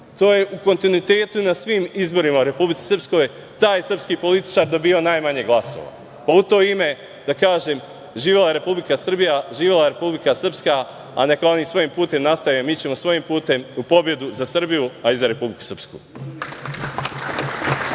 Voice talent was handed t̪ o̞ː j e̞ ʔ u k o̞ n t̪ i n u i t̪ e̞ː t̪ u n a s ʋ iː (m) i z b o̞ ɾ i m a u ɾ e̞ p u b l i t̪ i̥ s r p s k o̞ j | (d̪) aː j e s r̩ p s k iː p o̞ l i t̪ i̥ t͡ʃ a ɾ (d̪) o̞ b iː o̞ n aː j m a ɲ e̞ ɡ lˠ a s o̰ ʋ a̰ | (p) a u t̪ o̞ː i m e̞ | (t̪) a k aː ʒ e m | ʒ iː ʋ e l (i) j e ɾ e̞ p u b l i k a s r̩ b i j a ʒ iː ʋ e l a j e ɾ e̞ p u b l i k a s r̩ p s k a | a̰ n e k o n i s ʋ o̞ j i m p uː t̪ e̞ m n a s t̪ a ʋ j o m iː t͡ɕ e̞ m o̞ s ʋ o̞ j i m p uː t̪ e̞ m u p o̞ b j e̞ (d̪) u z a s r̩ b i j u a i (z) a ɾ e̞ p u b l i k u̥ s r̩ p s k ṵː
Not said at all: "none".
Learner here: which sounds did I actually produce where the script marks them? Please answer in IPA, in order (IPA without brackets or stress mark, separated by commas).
m, t̪, d̪, p, d̪, a, d̪, z